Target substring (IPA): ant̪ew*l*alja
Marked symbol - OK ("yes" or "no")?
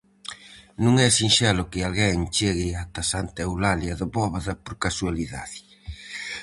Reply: yes